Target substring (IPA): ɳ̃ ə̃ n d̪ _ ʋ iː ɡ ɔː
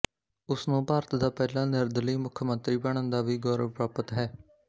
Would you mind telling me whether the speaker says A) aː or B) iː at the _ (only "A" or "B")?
A